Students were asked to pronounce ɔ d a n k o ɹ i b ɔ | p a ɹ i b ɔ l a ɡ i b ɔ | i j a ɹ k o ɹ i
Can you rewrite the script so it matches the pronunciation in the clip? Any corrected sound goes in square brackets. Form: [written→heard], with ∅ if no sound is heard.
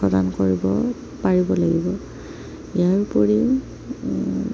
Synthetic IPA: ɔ d a n k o ɹ i b ɔ | p a ɹ i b ɔ l a ɡ i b ɔ | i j a ɹ [k→p] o ɹ i